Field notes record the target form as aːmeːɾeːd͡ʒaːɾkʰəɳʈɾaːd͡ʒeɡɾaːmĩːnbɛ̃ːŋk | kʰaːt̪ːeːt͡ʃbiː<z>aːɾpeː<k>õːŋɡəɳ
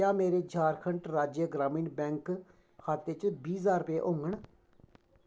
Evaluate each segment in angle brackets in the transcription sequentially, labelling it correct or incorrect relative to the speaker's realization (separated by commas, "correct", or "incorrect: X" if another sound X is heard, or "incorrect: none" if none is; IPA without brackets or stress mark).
correct, incorrect: ʔ